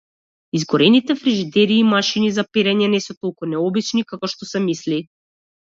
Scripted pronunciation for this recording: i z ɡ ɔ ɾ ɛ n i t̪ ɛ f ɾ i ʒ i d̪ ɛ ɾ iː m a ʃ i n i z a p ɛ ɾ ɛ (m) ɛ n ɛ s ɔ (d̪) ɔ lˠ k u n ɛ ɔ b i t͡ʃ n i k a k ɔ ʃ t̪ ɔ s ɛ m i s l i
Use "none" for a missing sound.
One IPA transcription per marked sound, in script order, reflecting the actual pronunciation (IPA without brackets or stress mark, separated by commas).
ɲ, t̪